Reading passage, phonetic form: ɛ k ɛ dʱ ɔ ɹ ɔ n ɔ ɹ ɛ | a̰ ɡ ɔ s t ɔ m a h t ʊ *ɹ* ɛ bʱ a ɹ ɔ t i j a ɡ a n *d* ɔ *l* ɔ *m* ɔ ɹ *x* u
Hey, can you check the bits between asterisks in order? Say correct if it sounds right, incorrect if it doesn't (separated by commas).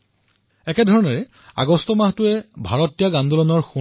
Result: incorrect, correct, correct, incorrect, correct